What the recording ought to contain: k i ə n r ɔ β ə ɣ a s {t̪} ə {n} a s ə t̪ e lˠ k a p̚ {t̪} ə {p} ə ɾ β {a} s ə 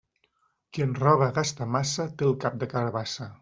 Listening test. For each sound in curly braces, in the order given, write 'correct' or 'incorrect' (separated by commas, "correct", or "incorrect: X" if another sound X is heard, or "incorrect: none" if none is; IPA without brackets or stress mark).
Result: correct, incorrect: m, incorrect: d̪, incorrect: k, correct